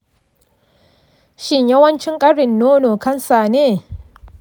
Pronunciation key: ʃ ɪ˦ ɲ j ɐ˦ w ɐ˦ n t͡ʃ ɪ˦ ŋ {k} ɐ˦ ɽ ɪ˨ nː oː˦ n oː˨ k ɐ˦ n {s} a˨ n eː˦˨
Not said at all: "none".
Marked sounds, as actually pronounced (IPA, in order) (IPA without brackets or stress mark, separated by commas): kʼ, s